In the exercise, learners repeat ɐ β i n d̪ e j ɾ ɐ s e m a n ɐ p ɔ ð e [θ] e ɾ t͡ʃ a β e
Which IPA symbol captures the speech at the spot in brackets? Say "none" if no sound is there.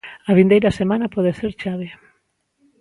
s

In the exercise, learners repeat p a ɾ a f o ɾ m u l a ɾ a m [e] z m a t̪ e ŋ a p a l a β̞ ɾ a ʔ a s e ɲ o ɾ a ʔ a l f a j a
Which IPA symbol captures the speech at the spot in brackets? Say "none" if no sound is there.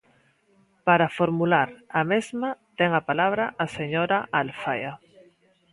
e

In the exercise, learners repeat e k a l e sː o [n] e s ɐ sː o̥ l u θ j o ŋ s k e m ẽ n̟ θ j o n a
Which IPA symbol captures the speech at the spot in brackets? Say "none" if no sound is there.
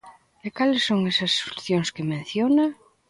ŋ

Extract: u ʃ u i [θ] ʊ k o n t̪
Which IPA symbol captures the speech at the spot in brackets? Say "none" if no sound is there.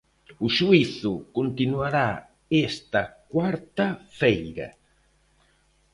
θ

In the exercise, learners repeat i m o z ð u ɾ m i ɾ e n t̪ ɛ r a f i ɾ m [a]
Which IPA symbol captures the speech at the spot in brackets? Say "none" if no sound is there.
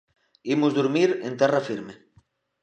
e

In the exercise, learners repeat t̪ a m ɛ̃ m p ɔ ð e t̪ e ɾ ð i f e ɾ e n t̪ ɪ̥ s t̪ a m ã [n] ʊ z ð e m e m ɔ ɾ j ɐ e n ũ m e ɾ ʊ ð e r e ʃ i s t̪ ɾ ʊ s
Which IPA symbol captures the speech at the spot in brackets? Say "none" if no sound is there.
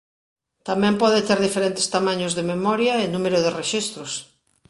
ɲ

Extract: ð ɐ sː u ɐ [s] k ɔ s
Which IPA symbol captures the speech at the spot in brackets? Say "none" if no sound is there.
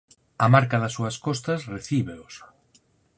s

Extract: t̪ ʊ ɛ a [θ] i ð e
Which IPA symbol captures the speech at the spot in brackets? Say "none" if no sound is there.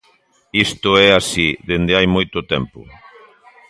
s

